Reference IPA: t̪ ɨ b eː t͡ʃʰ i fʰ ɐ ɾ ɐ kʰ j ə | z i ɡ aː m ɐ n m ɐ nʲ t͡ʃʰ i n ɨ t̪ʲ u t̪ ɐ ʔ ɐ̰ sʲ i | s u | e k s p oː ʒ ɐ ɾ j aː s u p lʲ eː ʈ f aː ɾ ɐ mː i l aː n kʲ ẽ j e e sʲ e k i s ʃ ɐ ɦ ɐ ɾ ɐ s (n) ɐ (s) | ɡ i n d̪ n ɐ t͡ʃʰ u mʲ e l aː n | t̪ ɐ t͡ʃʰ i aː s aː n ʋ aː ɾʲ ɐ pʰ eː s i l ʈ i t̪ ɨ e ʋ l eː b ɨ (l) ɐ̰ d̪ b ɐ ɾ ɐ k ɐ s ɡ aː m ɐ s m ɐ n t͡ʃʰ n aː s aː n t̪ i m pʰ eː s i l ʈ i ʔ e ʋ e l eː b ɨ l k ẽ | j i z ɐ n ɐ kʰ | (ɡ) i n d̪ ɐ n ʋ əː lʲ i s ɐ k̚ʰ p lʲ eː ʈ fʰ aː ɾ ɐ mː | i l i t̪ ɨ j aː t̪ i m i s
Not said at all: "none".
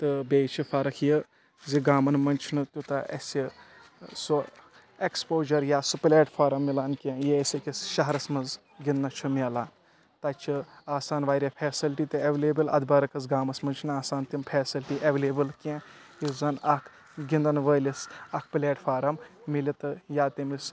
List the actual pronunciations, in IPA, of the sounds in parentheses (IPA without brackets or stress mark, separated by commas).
m, z, l, ɡ